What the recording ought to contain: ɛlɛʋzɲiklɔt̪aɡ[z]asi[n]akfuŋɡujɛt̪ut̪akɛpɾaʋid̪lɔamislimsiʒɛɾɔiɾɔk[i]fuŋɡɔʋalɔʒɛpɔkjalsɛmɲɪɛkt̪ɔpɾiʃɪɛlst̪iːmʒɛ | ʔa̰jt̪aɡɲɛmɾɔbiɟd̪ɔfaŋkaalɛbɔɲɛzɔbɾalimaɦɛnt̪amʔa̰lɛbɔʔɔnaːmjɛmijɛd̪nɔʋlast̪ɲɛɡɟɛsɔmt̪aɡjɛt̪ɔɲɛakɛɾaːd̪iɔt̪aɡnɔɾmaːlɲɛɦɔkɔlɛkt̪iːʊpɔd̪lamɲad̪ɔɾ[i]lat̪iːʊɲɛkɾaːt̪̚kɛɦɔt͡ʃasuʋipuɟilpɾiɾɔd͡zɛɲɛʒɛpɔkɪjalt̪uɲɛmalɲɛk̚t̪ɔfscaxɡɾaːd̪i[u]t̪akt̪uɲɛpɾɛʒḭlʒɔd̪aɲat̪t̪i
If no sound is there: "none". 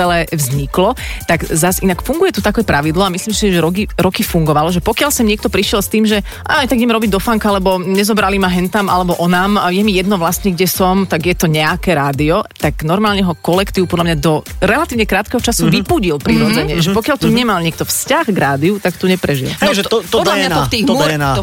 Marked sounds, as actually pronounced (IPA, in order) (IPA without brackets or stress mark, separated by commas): z, n, i, ɛ, u